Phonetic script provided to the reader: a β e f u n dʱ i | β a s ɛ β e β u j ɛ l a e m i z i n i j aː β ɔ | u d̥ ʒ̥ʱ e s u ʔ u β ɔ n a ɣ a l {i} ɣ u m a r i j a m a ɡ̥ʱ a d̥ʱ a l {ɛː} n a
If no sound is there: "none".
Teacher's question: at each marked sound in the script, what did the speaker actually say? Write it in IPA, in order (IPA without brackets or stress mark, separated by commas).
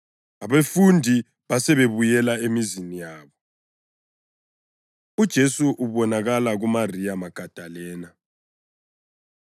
a, ɛː